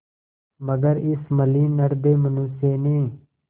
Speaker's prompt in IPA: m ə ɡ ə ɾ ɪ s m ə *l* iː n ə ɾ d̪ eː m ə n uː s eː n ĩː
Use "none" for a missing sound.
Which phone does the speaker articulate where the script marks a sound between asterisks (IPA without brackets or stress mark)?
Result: l